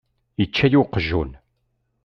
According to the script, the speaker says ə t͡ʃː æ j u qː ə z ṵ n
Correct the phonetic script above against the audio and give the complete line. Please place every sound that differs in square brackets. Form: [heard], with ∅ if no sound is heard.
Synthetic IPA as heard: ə t͡ʃː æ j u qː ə [ʒ] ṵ n